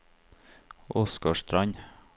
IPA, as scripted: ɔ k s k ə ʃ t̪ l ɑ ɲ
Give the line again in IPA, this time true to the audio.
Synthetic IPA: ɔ s k ɑ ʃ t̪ ɾ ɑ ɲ